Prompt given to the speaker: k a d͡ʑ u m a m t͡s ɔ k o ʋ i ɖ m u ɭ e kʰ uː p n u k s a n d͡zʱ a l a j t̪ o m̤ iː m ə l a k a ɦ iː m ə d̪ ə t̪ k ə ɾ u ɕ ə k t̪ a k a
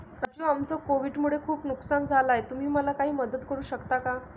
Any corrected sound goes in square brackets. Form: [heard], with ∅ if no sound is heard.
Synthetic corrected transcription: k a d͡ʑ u [∅] a m t͡s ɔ k o ʋ i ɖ m u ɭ e kʰ uː p n u k s a n d͡zʱ a l a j t̪ [u] m̤ iː m ə l a k a ɦ iː m ə d̪ ə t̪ k ə ɾ [uː] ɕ ə k t̪ a k a